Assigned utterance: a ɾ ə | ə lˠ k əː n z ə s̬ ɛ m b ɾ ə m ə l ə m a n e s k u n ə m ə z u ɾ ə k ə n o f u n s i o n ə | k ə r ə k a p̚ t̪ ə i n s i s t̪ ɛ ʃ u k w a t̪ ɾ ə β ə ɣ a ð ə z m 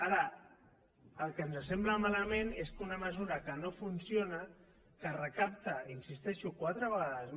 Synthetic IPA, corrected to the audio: a ɾ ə | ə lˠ k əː n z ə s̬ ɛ m b l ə m a l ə m e n e s k u n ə m ə z u ɾ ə k ə n o f u n s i o n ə | k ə r ə k a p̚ t̪ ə i n s i s t̪ ɛ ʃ u k w a t̪ ɾ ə β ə ɣ a ð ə z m